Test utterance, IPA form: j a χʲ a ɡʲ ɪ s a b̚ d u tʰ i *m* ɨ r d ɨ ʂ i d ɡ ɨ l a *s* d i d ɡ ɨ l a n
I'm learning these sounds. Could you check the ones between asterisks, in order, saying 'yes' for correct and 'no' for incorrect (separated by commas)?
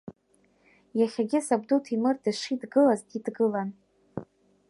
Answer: yes, no